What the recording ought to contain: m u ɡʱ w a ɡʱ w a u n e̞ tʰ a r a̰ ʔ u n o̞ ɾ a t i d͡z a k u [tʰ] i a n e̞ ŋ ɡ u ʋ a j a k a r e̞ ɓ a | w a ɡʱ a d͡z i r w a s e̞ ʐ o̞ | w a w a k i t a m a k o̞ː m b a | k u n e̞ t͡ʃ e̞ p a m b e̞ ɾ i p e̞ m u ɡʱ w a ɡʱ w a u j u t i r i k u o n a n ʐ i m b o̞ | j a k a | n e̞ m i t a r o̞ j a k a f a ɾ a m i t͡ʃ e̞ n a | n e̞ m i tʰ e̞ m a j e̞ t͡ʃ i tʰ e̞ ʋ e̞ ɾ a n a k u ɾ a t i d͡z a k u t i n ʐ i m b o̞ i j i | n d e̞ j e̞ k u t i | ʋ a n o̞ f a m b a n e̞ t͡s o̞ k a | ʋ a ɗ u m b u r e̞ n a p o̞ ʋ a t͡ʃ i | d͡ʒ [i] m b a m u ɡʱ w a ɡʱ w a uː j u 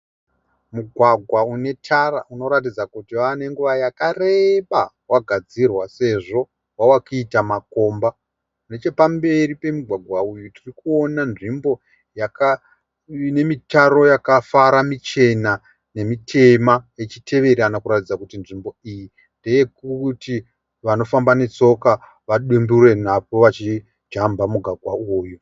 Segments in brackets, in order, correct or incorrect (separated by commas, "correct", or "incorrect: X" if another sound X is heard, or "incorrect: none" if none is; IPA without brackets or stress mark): incorrect: t, incorrect: a